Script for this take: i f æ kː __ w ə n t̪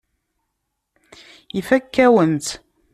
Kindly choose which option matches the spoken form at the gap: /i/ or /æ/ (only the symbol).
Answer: æ